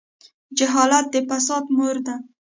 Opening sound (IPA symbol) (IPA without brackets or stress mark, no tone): d͡ʒ